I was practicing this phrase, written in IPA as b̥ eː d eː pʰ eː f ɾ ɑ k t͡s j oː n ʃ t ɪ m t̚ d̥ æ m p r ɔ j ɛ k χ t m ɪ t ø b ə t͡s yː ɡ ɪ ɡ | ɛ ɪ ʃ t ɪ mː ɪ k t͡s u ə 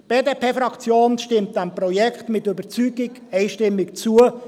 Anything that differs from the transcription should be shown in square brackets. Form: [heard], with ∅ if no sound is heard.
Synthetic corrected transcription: b̥ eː d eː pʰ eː f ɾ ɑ k t͡s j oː n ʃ t ɪ m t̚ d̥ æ m p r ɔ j ɛ k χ t m ɪ t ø b ə t͡s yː ɡ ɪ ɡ | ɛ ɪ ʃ t ɪ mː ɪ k t͡s u ə